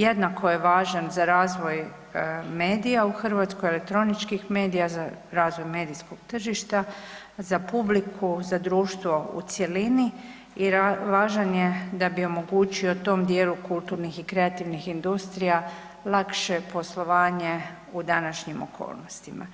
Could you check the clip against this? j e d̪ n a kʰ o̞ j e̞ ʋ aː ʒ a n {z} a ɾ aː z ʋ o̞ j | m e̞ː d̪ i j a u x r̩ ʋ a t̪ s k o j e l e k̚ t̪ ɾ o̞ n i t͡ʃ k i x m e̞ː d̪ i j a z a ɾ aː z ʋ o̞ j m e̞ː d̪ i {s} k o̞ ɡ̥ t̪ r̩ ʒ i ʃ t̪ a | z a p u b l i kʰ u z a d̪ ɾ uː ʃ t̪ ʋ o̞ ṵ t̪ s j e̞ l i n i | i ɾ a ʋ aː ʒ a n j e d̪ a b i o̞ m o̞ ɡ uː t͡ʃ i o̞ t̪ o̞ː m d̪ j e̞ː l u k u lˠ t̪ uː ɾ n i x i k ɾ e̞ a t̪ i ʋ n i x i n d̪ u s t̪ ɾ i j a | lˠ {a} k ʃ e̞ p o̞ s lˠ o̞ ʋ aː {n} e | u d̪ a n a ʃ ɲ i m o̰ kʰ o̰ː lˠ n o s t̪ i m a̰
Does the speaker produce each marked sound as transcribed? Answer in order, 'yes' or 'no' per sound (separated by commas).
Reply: yes, yes, yes, no